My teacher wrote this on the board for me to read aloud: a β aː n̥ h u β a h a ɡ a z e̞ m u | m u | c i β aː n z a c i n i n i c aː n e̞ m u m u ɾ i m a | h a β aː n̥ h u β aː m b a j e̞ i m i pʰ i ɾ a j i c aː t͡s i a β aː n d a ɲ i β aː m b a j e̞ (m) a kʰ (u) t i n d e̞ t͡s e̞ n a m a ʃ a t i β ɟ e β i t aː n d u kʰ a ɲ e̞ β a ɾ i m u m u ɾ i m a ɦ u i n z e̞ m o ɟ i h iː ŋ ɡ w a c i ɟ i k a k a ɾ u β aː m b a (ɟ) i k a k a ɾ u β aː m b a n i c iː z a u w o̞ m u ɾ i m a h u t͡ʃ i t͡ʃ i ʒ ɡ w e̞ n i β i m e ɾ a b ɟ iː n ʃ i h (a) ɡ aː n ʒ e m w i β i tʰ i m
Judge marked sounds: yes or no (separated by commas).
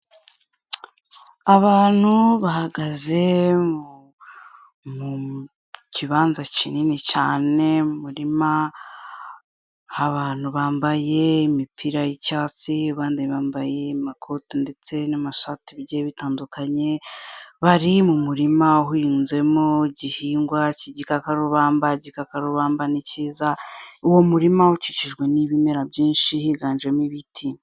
yes, no, yes, no